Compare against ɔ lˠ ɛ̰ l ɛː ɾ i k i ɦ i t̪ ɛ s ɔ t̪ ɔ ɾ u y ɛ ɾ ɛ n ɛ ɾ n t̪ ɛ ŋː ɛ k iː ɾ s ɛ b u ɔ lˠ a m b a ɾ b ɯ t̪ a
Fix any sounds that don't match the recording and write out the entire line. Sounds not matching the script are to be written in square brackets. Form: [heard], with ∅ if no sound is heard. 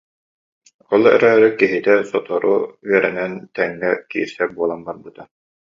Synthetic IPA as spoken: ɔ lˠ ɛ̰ [ɾ] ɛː ɾ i k i ɦ i t̪ ɛ s ɔ t̪ ɔ ɾ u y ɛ ɾ ɛ n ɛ [∅] n t̪ ɛ ŋː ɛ k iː ɾ s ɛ b u ɔ lˠ a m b a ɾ b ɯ t̪ a

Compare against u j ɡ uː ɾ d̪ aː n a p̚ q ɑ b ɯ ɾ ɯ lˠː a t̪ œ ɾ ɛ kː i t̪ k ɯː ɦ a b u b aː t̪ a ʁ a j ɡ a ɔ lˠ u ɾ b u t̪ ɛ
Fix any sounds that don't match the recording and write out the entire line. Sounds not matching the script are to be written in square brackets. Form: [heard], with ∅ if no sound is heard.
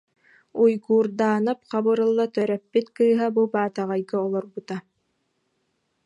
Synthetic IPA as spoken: u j ɡ uː ɾ d̪ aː n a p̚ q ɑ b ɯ ɾ ɯ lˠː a t̪ œ ɾ ɛ [pː] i t̪ k ɯː ɦ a b u b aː t̪ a ʁ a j ɡ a ɔ lˠ [ɔ] ɾ b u t̪ [a]

